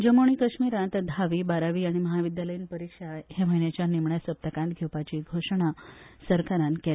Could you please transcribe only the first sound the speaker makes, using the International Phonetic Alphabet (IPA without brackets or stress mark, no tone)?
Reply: d͡ʑ